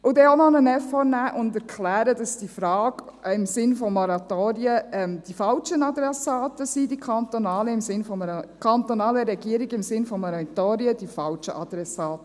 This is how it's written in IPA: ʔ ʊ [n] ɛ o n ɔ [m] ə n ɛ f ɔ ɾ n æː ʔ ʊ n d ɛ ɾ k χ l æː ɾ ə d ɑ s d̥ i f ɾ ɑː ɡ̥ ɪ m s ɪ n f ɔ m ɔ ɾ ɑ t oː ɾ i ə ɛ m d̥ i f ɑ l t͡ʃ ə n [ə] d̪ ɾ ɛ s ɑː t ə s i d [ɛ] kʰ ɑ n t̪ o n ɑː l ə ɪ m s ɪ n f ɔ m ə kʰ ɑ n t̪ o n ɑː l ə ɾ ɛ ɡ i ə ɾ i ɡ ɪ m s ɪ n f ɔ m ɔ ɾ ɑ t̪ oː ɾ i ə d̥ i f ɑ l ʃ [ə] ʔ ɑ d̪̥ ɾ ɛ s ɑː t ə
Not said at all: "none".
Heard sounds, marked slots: d, n, ɑ, i, ə

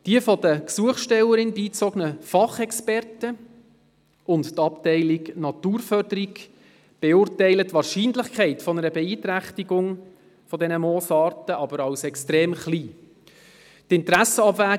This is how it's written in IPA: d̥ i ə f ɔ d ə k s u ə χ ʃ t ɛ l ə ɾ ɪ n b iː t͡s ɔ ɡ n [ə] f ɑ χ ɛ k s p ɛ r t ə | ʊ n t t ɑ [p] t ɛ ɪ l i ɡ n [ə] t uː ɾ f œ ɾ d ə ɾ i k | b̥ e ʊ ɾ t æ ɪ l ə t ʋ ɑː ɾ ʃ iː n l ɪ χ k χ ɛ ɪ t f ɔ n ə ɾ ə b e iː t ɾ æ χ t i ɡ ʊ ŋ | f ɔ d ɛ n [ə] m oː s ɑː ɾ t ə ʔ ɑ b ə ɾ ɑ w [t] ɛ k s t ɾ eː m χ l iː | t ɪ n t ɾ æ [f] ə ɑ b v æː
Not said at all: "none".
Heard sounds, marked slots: ə, p, ɑ, ə, s, s

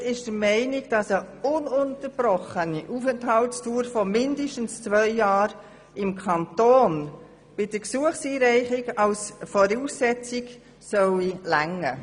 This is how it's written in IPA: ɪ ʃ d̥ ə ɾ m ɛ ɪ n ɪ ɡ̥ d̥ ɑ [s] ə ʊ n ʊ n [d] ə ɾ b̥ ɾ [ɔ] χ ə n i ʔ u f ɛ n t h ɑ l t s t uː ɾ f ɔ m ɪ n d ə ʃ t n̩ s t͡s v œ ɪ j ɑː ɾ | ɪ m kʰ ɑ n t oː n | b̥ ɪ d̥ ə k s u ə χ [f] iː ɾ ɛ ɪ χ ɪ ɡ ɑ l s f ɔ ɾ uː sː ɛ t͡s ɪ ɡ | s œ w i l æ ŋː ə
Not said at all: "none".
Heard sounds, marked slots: s, t, ɔ, s

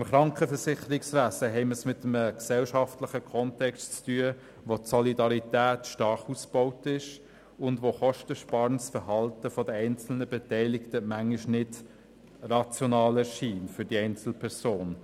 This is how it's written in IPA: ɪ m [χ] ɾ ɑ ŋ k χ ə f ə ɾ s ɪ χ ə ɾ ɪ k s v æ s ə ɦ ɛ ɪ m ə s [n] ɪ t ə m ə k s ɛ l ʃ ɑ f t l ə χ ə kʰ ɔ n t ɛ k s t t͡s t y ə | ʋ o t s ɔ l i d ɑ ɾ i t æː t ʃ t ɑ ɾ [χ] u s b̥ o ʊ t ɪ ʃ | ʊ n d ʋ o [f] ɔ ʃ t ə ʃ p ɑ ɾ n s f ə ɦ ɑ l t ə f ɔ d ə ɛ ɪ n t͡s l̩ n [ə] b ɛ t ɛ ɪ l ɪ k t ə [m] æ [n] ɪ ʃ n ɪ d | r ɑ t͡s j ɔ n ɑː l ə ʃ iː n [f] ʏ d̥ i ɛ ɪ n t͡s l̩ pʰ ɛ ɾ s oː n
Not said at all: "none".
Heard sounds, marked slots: χ, m, χ, χ, ə, m, ŋ, f

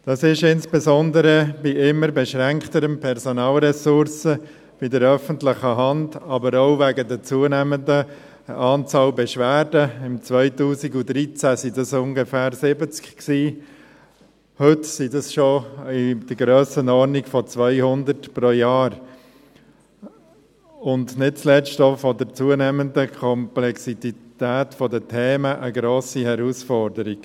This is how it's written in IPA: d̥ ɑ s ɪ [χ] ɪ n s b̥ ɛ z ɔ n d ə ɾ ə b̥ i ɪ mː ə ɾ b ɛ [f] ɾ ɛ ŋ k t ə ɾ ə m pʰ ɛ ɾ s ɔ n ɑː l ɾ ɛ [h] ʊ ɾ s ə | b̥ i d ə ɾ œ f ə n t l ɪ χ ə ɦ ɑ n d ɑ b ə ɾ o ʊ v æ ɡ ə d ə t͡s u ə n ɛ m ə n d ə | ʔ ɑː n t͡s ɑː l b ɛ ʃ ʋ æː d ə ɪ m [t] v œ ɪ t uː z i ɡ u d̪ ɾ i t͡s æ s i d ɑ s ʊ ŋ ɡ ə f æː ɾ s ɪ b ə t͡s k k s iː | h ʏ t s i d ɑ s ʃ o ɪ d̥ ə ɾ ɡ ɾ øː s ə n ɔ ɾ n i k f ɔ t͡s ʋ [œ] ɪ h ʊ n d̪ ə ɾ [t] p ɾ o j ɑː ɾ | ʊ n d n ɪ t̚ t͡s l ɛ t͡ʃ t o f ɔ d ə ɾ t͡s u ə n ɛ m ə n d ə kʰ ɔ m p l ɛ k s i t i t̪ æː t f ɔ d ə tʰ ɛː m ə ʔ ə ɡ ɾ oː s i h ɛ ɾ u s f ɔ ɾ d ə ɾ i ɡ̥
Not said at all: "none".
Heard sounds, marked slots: ʃ, ʃ, s, t͡s, œ, t

